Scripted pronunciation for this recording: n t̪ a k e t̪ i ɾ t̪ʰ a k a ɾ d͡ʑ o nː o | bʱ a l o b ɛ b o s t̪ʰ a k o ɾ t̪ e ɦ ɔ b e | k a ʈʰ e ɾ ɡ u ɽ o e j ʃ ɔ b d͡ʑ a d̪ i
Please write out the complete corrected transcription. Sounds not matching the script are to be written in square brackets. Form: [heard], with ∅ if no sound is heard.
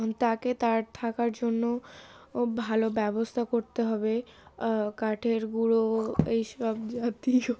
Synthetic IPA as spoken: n t̪ a k e t̪ [a] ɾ t̪ʰ a k a ɾ d͡ʑ o nː o | bʱ a l o b ɛ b o s t̪ʰ a k o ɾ t̪ e ɦ ɔ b e | k a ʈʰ e ɾ ɡ u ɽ o e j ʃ ɔ b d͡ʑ a [t̪] i

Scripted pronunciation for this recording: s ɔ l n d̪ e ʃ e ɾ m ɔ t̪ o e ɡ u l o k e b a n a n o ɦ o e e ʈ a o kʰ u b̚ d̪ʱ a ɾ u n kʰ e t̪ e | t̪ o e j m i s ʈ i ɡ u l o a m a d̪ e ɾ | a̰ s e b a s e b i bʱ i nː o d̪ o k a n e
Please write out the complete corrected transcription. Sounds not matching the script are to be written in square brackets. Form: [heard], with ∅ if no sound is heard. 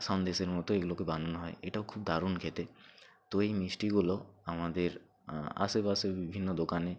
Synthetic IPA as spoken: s ɔ [∅] n d̪ e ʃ e ɾ m ɔ t̪ o e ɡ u l o k e b a n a n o ɦ [ɔ] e e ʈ a o kʰ u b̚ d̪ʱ a ɾ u n kʰ e t̪ e | t̪ o e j m i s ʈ i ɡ u l o a m a d̪ e ɾ | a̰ s e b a s e b i bʱ i nː o d̪ o k a n e

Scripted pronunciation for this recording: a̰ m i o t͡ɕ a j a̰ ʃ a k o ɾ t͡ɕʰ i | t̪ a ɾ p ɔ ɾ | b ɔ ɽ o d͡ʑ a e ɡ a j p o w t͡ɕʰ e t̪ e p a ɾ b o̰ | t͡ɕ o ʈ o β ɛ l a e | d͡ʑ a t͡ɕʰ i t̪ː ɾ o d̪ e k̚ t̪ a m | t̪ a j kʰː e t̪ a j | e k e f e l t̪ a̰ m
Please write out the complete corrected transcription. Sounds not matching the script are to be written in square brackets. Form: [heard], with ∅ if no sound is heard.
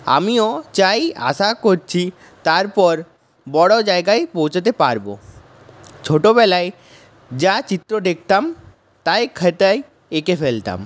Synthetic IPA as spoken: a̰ m i o t͡ɕ a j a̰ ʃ a k o ɾ t͡ɕʰ i | t̪ a ɾ p ɔ ɾ | b ɔ ɽ o d͡ʑ a e ɡ a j p o w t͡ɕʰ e t̪ e p a ɾ b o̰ | [t͡ɕʰ] o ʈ o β ɛ l a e | d͡ʑ a [t͡ɕ] i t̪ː ɾ o d̪ e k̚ t̪ a m | t̪ a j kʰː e t̪ a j | e k e f e l t̪ a̰ m

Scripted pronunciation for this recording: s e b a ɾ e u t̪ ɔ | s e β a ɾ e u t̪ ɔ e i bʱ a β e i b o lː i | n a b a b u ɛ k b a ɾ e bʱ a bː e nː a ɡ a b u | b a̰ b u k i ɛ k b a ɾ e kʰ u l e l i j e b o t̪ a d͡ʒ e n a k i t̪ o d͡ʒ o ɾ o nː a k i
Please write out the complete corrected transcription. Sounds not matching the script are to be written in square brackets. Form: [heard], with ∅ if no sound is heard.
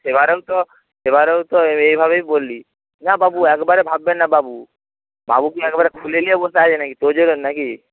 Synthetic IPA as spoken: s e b a ɾ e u t̪ ɔ | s e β a ɾ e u t̪ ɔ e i bʱ a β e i b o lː i | n a b a b u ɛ k b a ɾ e bʱ a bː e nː a [b] a b u | b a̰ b u k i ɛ k b a ɾ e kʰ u l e l i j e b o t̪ a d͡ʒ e n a k i t̪ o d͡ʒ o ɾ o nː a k i

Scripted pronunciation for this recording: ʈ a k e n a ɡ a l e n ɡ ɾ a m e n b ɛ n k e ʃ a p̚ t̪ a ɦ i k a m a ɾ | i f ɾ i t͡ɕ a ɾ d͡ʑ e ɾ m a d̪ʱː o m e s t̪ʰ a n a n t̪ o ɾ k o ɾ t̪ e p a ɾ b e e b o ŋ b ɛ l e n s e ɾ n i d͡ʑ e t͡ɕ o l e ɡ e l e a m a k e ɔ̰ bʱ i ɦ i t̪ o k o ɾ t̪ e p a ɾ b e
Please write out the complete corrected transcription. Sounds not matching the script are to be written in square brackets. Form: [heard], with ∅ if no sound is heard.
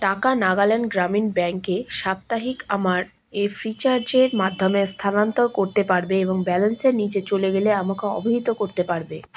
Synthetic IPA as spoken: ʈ a k [a] n a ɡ a l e n ɡ ɾ a m [i] n b ɛ [ŋ] k e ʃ a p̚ t̪ a ɦ i k a m a ɾ | [e] f ɾ i t͡ɕ a ɾ d͡ʑ e ɾ m a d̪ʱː o m e s t̪ʰ a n a n t̪ o ɾ k o ɾ t̪ e p a ɾ b e e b o ŋ b ɛ l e n s e ɾ n i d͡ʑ e t͡ɕ o l e ɡ e l e a m a k e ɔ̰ bʱ i ɦ i t̪ o k o ɾ t̪ e p a ɾ b e

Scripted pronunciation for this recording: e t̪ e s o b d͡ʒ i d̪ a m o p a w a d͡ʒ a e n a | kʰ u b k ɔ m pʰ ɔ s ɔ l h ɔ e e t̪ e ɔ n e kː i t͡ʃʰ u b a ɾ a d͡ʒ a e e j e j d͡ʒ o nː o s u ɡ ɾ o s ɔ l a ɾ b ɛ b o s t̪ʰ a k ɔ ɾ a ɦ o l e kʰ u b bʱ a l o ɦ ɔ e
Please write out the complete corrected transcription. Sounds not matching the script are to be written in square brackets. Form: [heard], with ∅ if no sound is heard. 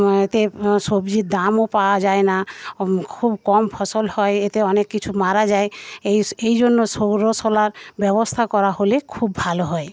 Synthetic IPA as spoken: e t̪ e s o b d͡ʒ i d̪ a m o p a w a d͡ʒ a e n a | kʰ u b k ɔ m pʰ ɔ s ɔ l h ɔ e e t̪ e ɔ n e kː i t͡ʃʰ u [m] a ɾ a d͡ʒ a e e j e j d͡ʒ o nː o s [o] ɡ ɾ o s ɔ l a ɾ b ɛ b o s t̪ʰ a k ɔ ɾ a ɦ o l e kʰ u b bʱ a l o ɦ ɔ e

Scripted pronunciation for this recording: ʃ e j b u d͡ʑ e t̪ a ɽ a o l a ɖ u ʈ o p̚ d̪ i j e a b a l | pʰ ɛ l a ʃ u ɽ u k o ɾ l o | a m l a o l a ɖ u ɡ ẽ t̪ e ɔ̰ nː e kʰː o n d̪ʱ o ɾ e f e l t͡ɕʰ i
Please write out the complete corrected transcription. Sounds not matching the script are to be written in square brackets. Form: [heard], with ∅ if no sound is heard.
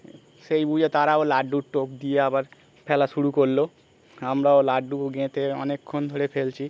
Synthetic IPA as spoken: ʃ e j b u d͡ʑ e t̪ a [ɾ] a o l a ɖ u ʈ o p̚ d̪ i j e a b a [ɾ] | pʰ ɛ l a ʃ u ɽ u k o ɾ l o | a m [ɾ] a o l a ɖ u ɡ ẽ t̪ e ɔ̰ [n] e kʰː o n d̪ʱ o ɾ e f e l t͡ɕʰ i

